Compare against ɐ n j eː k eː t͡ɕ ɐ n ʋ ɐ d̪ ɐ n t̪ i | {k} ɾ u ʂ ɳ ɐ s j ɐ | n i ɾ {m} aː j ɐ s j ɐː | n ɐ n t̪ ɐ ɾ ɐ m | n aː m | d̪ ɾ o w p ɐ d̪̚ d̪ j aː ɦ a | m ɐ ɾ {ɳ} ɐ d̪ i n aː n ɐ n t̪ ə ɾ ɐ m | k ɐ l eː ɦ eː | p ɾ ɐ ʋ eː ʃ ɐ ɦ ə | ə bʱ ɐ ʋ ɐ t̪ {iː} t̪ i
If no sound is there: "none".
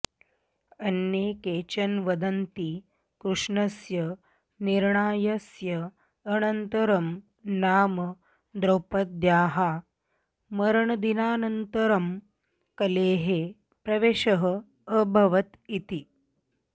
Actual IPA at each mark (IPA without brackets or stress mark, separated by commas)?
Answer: k, ɳ, ɳ, i